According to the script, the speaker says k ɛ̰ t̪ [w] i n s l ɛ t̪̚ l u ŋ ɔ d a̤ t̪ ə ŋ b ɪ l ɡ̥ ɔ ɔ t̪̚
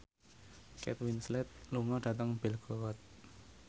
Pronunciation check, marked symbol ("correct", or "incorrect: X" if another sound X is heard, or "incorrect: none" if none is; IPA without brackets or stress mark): correct